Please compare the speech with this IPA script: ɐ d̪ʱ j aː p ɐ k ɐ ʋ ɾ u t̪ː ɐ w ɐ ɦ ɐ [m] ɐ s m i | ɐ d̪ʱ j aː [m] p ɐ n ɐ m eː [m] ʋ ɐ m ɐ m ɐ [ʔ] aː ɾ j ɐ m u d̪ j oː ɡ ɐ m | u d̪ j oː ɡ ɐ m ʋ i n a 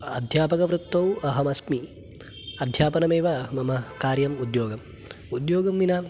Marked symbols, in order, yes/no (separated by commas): yes, no, no, no